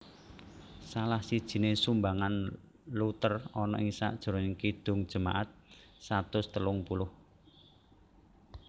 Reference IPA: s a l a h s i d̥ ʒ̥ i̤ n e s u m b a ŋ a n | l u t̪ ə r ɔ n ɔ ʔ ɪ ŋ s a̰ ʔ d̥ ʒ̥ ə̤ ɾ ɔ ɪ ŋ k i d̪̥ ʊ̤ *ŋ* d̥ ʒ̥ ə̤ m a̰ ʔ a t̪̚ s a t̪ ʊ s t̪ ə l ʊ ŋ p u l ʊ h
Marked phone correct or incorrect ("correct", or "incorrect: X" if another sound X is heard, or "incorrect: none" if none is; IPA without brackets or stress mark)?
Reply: correct